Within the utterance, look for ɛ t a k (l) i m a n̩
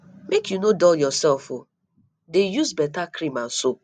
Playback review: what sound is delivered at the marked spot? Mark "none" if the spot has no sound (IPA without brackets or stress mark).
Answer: ɾ